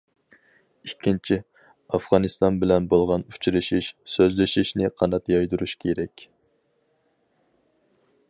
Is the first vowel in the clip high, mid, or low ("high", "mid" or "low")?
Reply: high